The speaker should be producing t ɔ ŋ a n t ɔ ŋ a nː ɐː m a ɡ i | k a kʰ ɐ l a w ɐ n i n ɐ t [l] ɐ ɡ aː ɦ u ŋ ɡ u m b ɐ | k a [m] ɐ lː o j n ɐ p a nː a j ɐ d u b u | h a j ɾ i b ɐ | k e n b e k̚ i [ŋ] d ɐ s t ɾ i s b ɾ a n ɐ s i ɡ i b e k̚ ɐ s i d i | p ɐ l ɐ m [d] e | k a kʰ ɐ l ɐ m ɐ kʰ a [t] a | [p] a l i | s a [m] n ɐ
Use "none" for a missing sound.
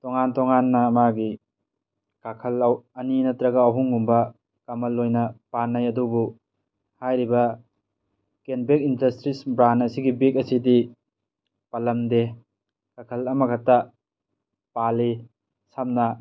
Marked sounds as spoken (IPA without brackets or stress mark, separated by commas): ɾ, m, n, d, t, p, m